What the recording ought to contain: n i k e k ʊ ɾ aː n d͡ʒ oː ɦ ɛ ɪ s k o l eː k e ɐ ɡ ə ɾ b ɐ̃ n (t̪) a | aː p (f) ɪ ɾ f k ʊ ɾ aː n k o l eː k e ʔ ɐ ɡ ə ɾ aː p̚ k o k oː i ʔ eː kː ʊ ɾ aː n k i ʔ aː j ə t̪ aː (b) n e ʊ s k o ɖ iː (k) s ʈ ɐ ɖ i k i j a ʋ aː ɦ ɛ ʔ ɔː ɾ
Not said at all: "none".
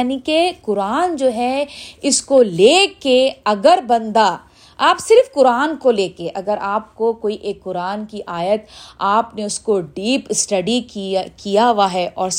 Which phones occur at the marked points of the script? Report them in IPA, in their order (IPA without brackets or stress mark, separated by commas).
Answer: d̪, s, p, p